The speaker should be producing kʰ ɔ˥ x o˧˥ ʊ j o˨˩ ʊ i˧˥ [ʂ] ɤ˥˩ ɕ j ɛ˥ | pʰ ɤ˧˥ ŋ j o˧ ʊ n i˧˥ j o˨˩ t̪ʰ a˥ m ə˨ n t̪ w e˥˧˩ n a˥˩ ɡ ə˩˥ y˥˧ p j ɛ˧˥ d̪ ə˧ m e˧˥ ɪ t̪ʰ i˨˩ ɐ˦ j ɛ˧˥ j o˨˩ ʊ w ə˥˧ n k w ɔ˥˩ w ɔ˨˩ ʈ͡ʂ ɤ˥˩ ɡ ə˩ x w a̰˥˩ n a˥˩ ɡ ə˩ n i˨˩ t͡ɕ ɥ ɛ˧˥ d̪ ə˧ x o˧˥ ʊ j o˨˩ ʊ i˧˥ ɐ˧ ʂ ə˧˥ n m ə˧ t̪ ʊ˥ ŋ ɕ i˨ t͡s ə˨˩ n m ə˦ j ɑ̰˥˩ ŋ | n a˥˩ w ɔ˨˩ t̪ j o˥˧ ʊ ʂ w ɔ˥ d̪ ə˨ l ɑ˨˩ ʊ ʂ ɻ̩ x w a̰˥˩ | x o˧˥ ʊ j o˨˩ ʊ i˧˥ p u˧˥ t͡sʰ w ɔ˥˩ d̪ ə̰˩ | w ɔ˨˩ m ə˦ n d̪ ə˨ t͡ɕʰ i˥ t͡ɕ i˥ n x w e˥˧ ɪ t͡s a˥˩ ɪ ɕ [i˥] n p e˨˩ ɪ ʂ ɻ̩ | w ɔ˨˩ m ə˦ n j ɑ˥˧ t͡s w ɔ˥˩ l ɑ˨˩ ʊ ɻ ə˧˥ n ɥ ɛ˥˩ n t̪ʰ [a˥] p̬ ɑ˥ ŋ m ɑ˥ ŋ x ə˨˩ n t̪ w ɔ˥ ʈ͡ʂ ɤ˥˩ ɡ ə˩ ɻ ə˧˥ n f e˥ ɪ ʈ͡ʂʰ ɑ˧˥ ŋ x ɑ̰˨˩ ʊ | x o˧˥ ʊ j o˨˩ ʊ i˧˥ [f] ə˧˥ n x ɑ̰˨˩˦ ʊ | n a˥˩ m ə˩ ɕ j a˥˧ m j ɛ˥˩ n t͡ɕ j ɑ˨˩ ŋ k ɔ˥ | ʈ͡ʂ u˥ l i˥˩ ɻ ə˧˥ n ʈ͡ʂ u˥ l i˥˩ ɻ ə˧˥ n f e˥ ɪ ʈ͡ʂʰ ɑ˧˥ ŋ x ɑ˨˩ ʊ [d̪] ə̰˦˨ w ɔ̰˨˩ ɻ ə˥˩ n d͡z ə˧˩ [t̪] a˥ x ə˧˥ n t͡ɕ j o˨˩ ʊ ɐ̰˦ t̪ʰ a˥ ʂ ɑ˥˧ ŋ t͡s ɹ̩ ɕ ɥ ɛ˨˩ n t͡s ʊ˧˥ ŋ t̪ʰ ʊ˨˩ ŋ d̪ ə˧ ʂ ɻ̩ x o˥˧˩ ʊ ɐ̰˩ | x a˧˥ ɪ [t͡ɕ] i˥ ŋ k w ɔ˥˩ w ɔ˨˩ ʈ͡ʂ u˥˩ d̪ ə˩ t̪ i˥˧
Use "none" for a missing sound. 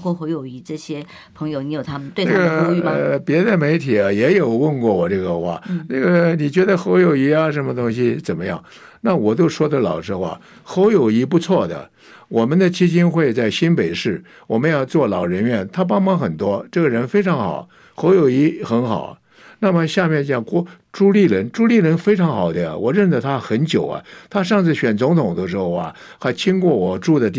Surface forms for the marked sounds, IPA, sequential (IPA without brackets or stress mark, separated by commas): ʈ͡ʂ, i˥, a˥, x, d̪, t̪ʰ, t͡ɕʰ